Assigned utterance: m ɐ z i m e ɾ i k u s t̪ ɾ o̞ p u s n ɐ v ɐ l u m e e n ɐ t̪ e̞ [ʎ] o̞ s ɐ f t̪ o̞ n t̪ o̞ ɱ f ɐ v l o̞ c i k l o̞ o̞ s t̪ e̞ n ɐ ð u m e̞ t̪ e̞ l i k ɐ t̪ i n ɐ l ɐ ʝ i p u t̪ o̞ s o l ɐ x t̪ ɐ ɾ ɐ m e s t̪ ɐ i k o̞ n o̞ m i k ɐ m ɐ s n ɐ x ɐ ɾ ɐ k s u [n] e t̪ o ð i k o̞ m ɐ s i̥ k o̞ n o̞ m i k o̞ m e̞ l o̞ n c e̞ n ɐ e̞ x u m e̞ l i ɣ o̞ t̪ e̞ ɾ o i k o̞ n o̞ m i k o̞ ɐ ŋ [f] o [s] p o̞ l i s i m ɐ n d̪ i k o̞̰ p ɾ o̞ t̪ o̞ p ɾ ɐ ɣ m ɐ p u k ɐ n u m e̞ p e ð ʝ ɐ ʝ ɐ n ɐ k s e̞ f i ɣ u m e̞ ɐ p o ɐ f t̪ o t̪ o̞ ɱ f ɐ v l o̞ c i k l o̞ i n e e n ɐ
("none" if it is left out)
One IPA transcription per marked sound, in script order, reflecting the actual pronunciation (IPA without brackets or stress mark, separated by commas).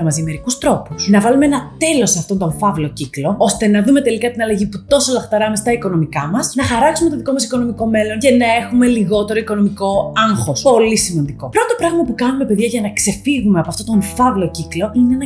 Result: l, m, x, s